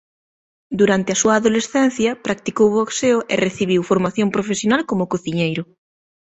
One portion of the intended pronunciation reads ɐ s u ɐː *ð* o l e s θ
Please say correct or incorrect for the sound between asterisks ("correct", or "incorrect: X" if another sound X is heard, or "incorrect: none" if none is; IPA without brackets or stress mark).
correct